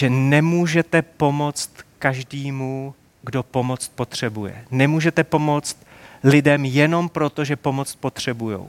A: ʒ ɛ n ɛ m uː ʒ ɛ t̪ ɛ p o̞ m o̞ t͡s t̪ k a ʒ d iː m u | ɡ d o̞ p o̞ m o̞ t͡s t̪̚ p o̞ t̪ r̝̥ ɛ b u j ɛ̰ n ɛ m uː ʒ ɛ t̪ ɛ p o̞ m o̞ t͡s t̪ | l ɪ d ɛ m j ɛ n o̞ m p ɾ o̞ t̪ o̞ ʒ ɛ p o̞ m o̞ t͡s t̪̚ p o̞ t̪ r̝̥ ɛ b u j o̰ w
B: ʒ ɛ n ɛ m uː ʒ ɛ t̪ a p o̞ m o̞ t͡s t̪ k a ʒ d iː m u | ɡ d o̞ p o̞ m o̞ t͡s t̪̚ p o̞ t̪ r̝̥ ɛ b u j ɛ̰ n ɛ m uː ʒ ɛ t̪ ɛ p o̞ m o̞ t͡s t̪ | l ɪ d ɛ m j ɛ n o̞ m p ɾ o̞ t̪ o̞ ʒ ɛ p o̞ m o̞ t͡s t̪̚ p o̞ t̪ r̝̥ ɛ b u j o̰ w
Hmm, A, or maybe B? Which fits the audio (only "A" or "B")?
A